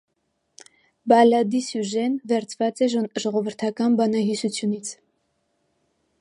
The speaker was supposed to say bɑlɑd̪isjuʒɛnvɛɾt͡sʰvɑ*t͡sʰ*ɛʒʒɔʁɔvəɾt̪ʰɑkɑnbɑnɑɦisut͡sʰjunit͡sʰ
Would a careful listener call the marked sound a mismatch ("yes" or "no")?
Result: yes